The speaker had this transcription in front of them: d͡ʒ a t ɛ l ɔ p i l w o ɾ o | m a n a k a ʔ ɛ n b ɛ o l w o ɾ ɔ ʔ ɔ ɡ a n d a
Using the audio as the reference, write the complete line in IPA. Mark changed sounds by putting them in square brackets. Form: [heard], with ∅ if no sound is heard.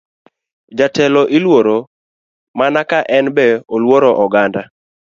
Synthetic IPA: d͡ʒ a t ɛ l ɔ [ʔ] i l w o ɾ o | m a n a k a ʔ ɛ n b ɛ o l w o ɾ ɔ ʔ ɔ ɡ a n d a